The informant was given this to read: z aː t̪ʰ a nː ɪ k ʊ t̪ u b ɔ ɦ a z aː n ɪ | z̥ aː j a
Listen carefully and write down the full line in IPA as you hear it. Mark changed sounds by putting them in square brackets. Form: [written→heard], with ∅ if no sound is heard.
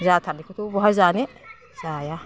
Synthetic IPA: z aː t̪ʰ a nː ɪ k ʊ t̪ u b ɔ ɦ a z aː n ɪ | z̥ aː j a